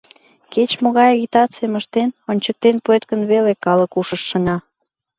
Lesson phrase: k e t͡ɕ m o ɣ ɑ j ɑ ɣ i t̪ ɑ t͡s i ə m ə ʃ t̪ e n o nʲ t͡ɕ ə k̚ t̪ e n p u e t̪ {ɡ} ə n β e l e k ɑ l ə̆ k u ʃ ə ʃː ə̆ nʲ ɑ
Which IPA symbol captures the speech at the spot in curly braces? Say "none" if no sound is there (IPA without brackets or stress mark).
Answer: k